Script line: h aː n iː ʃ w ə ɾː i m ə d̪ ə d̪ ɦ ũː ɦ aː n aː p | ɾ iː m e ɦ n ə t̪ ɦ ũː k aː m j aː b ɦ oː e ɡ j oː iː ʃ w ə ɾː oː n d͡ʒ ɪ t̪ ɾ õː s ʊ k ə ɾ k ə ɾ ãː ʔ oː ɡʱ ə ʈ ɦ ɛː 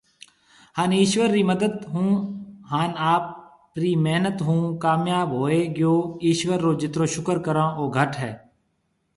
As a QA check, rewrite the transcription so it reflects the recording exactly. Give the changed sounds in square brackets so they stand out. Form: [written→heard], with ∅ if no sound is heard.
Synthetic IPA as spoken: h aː n iː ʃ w ə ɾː i m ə d̪ ə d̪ ɦ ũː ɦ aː n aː p | ɾ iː m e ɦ n ə t̪ ɦ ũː k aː m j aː b ɦ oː e ɡ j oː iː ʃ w ə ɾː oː [n→∅] d͡ʒ ɪ t̪ ɾ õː [s→ʃ] ʊ k ə ɾ k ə ɾ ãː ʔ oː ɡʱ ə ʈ ɦ ɛː